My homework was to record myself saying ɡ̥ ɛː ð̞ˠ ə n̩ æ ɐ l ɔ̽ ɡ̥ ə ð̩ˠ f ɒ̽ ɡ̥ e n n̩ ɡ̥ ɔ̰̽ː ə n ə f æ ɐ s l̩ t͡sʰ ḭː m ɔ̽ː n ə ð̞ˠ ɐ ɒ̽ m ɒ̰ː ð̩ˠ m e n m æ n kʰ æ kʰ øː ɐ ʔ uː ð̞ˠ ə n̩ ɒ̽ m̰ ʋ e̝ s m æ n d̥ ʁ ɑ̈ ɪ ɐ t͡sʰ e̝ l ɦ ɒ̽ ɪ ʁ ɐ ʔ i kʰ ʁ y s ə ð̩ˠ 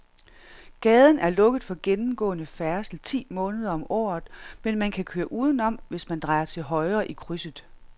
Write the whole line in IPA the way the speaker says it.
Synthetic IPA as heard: ɡ̥ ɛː ð̞ˠ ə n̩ æ ɐ l ɔ̽ ɡ̥ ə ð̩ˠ f ɒ̽ ɡ̥ e n m̩ ɡ̥ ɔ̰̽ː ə n ə f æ ɐ s l̩ t͡sʰ ḭː m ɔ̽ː n ə ð̞ˠ ɐ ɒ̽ m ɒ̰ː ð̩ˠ m e n m æ n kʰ æ kʰ øː ɐ ʔ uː ð̞ˠ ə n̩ ɒ̽ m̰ ʋ e̝ s m æ n d̥ ʁ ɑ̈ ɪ ɐ t͡sʰ e̝ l ɦ ɒ̽ ɪ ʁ ɐ ʔ i kʰ ʁ y s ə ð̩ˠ